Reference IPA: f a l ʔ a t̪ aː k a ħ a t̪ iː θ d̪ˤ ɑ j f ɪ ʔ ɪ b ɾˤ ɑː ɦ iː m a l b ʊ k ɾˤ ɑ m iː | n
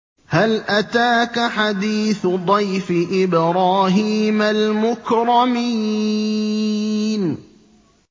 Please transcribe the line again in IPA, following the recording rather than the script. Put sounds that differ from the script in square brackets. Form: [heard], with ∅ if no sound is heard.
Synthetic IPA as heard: [h] a l ʔ a t̪ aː k a ħ a [d̪] iː θ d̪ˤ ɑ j f ɪ ʔ ɪ b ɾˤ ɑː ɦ iː m a l [m] ʊ k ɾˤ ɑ m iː | n